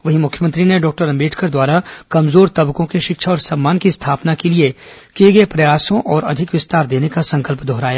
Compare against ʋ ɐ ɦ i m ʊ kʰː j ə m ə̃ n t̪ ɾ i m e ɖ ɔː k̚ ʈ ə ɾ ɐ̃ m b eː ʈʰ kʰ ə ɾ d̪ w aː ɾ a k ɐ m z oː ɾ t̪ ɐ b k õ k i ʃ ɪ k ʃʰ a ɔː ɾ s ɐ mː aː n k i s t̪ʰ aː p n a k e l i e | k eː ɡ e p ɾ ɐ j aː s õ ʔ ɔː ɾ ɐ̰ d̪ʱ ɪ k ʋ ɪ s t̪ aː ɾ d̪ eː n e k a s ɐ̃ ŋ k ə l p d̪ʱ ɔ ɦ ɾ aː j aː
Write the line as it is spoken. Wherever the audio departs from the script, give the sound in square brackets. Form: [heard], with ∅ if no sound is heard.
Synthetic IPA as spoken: ʋ ɐ ɦ i m ʊ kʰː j ə m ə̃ n t̪ ɾ i [n] e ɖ ɔː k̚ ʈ ə ɾ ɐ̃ m b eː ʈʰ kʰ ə ɾ d̪ w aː ɾ a k ɐ m z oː ɾ t̪ ɐ b k õ k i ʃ ɪ k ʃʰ a ɔː ɾ s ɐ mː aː n k i s t̪ʰ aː p n a k e l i e | k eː ɡ e p ɾ ɐ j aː s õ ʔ ɔː ɾ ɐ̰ d̪ʱ ɪ k ʋ ɪ s t̪ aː ɾ d̪ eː n e k a s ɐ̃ ŋ k ə l p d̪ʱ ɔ ɦ ɾ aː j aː

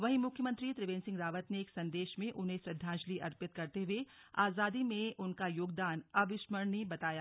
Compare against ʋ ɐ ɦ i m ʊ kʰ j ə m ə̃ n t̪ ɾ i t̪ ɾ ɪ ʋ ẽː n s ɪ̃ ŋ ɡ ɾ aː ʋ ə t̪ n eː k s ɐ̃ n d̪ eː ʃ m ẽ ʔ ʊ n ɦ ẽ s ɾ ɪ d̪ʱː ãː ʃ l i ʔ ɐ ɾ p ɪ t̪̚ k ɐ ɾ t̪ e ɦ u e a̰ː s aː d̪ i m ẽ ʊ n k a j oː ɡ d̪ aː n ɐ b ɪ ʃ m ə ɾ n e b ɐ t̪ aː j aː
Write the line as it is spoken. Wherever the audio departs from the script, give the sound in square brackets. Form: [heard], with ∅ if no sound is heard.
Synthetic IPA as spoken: ʋ ɐ ɦ i m ʊ kʰ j ə m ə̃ n t̪ ɾ i t̪ ɾ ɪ ʋ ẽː n s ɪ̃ ŋ ɡ ɾ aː ʋ ə t̪ n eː k s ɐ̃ n d̪ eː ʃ m ẽ ʔ ʊ n ɦ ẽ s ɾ ɪ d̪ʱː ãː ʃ l i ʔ ɐ ɾ p ɪ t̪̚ k ɐ ɾ t̪ e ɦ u e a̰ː [z] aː d̪ i m ẽ ʊ n k a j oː ɡ d̪ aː n ɐ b ɪ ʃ m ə ɾ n [i] b ɐ t̪ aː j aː

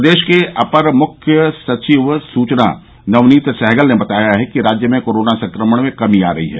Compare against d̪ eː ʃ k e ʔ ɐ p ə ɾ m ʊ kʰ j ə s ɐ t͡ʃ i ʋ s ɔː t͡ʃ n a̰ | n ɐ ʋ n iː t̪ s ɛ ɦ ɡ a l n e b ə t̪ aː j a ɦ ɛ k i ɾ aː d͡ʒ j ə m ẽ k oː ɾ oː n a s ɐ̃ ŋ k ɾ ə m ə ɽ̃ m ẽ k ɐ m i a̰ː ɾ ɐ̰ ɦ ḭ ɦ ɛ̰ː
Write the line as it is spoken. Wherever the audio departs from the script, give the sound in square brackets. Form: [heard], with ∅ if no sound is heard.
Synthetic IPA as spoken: d̪ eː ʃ k e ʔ ɐ p ə ɾ m ʊ kʰ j ə s ɐ t͡ʃ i ʋ s [uː] t͡ʃ n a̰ | n ɐ ʋ n iː t̪ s ɛ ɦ ɡ [ə] l n e b [ɐ] t̪ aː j a ɦ ɛ k i ɾ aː d͡ʒ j ə m ẽ k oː ɾ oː n a s ɐ̃ ŋ k ɾ ə m ə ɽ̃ m ẽ k ɐ m i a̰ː ɾ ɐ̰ ɦ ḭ ɦ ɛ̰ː

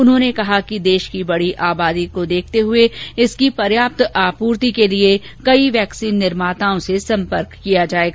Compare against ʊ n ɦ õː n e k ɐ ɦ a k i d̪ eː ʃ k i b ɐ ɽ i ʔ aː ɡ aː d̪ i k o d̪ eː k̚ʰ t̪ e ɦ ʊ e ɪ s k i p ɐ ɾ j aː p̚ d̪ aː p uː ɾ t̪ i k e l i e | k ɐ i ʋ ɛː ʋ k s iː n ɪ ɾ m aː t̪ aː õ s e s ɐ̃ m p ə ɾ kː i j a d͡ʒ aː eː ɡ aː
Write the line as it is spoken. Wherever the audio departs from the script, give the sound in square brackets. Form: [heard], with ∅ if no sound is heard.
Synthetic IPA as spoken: ʊ n ɦ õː n e k ɐ ɦ a k i d̪ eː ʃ k i b ɐ ɽ i ʔ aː [b] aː d̪ i k o d̪ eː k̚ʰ t̪ e ɦ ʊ e ɪ s k i p ɐ ɾ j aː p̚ [t̪] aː p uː ɾ t̪ i k e l i e | k ɐ i ʋ ɛː [∅] k s iː [nː] ɪ ɾ m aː t̪ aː õ s e s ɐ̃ m p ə ɾ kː i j a d͡ʒ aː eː ɡ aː

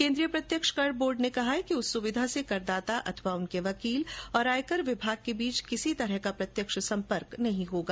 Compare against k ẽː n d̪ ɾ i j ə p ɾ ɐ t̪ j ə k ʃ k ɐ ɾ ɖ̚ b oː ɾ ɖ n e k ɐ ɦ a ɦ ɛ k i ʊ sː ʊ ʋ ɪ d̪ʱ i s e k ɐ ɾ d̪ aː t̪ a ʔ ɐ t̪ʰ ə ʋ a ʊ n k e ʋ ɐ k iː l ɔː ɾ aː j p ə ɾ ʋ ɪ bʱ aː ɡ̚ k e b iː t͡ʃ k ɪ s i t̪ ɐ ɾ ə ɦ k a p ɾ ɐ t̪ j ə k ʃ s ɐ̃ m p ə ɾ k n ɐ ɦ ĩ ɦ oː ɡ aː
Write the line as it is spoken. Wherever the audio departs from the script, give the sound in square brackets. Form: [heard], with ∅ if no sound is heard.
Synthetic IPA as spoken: k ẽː n d̪ ɾ i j ə p ɾ ɐ t̪ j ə k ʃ k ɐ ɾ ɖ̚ b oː ɾ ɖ n e k ɐ ɦ a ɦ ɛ k i ʊ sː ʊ ʋ ɪ d̪ʱ [a] s e k ɐ ɾ d̪ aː t̪ a ʔ ɐ t̪ʰ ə ʋ a ʊ n k e ʋ ɐ k iː l ɔː ɾ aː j [k] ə ɾ ʋ ɪ bʱ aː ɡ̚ k e b iː t͡ʃ k ɪ s i t̪ ɐ ɾ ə ɦ k a p ɾ ɐ t̪ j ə k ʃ s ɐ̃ m p ə ɾ k n ɐ ɦ ĩ ɦ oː ɡ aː

